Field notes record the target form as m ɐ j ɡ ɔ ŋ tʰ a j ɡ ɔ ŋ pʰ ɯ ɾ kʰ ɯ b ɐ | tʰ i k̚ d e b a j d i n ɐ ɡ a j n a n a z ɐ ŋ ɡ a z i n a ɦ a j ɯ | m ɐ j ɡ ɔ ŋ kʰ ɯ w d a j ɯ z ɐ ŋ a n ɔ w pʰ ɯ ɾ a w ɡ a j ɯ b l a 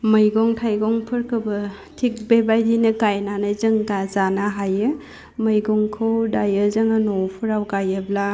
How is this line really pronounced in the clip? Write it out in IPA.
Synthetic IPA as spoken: m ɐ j ɡ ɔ ŋ tʰ a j ɡ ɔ ŋ pʰ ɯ ɾ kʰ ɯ b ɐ | tʰ i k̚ b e b a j d i n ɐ ɡ a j n a n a z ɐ ŋ ɡ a z a n a ɦ a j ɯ | m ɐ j ɡ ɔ ŋ kʰ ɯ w d a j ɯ z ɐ ŋ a n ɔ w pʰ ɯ ɾ a w ɡ a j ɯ b l a